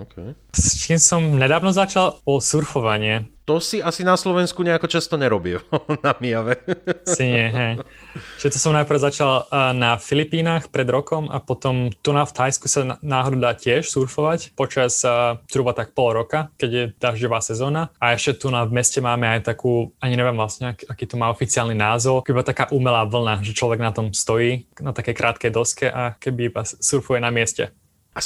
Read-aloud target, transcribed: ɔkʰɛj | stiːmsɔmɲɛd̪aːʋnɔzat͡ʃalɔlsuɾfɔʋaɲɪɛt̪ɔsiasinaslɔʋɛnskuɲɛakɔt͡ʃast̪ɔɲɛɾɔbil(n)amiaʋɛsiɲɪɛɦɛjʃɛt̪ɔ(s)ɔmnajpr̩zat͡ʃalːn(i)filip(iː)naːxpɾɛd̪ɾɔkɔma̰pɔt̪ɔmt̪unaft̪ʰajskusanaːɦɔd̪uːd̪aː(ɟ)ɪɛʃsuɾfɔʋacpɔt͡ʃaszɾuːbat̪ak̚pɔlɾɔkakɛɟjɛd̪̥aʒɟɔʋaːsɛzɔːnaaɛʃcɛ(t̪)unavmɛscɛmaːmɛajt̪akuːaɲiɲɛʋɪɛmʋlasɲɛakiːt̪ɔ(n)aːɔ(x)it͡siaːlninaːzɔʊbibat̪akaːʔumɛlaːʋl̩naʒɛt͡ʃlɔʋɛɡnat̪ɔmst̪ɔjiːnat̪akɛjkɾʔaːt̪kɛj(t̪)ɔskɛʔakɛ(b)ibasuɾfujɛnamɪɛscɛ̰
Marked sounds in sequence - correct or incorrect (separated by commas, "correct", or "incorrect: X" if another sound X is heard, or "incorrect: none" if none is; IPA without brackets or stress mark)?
correct, correct, incorrect: a, correct, incorrect: c, correct, incorrect: m, incorrect: f, incorrect: d̪, correct